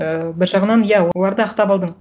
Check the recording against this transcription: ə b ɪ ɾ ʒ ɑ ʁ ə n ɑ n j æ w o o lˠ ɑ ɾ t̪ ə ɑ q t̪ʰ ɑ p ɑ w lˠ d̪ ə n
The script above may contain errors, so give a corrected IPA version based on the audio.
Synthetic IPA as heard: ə b ɪ ɾ ʒ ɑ ʁ ə n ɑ n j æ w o o lˠ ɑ ɾ d̪ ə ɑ q t̪ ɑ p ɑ lˠ d̪ ə ɴ